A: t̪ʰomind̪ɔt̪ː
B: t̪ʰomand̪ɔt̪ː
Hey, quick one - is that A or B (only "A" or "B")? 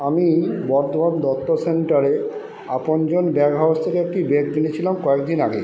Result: B